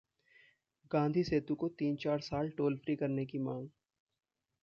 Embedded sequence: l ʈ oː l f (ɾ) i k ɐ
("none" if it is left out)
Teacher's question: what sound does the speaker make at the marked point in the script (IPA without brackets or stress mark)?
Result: ɾ